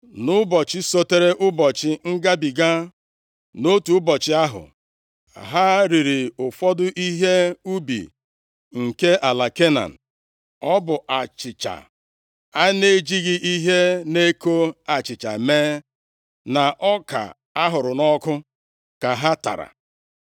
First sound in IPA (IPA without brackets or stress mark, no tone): n